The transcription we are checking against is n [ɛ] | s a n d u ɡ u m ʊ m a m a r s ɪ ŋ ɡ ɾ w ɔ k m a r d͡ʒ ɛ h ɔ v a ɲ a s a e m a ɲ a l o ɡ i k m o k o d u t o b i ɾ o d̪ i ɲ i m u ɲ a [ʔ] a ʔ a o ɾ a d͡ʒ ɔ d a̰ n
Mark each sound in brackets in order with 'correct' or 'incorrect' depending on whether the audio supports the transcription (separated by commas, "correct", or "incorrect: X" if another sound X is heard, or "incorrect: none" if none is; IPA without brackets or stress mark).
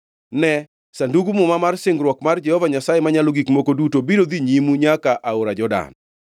correct, incorrect: k